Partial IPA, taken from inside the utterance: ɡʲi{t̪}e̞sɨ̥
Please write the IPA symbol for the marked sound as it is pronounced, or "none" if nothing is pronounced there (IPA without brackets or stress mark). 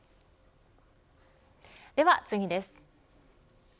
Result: d̪